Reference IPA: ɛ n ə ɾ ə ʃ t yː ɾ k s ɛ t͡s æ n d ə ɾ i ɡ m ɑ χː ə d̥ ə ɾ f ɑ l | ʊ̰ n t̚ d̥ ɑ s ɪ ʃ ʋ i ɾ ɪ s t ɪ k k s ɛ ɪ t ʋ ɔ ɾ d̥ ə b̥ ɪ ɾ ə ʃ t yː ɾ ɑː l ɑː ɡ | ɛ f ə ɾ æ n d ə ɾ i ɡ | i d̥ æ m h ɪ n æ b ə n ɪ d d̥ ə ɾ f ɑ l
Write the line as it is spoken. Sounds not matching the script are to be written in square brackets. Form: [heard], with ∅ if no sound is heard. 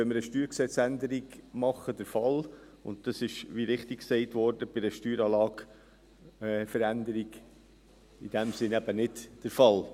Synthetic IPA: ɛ [m] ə ɾ ə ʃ t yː ɾ k s ɛ t͡s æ n d ə ɾ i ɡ m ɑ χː ə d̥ ə ɾ f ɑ l | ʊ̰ n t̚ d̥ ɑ s ɪ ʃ ʋ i ɾ ɪ [χ] t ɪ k k s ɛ ɪ t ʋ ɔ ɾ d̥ ə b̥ ɪ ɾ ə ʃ t yː ɾ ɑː l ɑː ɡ | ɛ f ə ɾ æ n d ə ɾ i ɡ | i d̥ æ m [s] ɪ n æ b ə n ɪ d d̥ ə ɾ f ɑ l